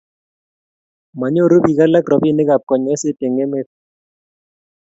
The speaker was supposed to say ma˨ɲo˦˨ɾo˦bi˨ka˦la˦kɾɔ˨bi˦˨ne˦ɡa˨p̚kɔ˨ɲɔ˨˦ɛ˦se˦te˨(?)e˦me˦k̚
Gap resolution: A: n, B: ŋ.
B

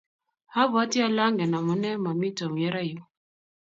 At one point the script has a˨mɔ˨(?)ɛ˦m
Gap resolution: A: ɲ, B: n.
B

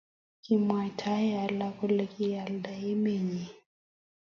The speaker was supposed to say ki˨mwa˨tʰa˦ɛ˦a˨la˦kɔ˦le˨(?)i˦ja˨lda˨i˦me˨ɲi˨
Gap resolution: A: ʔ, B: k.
B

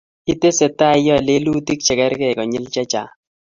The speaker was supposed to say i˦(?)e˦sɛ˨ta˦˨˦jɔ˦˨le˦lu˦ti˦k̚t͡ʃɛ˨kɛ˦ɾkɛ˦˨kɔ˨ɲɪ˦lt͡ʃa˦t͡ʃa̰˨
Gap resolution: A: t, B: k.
A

